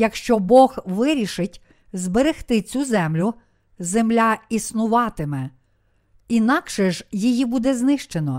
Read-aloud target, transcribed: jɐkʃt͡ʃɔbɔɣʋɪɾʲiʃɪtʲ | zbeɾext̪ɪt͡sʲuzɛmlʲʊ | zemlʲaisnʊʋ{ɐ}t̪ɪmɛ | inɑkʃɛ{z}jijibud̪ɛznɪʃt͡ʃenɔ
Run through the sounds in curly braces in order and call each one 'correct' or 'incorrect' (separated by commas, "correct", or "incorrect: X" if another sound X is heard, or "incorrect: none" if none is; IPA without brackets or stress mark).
incorrect: ɑ, incorrect: ʒ